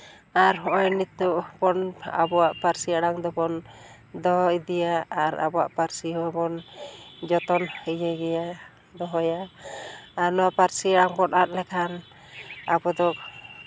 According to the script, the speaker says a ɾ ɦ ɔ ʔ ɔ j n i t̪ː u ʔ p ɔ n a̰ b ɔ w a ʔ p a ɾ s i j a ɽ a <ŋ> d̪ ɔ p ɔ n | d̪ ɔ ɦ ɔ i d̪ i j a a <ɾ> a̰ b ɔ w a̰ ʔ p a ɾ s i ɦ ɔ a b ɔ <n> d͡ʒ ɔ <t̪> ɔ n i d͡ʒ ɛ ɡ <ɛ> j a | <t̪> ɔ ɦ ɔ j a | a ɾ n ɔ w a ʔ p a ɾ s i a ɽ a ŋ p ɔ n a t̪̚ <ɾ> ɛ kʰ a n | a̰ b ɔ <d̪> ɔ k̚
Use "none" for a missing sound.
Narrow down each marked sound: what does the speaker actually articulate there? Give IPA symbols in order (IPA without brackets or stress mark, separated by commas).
ŋ, ɾ, n, t̪, ɛ, d̪, l, d̪